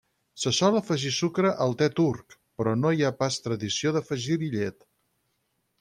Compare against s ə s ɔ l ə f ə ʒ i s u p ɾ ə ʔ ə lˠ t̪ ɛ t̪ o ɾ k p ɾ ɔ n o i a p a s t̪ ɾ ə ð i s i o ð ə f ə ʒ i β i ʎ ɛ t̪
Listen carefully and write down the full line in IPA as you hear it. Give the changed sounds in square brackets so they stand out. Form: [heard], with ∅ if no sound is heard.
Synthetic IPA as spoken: s ə s ɔ l ə f ə ʒ i s u [k] ɾ ə ʔ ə lˠ t̪ ɛ t̪ [u] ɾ k p ɾ ɔ n o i a p a s t̪ ɾ ə ð i s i o ð ə f ə ʒ i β i ʎ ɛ t̪